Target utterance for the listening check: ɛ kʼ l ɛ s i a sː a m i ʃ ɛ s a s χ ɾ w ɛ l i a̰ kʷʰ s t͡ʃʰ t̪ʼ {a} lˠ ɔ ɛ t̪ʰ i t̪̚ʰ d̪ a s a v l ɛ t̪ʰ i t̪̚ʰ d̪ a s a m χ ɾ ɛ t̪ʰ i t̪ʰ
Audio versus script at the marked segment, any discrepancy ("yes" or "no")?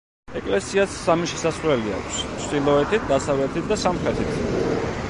yes